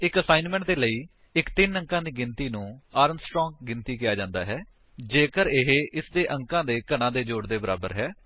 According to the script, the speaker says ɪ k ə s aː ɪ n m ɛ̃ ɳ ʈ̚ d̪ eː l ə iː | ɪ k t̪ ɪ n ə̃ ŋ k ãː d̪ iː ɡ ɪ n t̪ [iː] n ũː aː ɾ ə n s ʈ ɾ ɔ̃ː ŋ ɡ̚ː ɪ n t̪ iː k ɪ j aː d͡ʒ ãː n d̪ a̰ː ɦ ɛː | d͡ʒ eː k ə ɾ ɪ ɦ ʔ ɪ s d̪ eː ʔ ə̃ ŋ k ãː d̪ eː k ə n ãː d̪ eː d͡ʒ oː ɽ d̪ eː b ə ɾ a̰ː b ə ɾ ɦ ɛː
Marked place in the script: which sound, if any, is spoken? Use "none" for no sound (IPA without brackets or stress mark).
iː